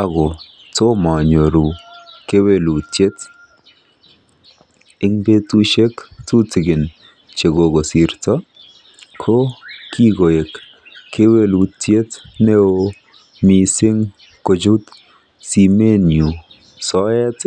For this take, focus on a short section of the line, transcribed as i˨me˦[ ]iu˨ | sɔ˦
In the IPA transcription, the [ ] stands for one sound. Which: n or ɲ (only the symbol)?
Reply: n